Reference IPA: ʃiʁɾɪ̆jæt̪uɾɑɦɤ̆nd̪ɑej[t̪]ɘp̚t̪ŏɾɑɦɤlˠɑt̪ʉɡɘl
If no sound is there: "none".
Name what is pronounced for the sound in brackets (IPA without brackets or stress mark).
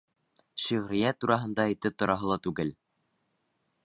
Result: t̪